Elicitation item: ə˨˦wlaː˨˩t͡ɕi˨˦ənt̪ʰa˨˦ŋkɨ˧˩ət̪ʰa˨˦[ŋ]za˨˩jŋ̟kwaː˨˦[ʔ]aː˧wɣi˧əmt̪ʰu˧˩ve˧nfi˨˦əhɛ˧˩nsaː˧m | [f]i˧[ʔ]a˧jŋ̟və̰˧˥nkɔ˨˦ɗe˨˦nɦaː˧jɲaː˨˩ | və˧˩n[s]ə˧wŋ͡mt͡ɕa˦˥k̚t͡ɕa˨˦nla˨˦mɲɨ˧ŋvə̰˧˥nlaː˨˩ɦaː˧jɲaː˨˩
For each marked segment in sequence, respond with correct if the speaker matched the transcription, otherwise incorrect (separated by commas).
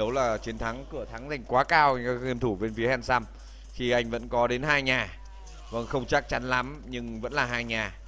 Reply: correct, incorrect, incorrect, correct, incorrect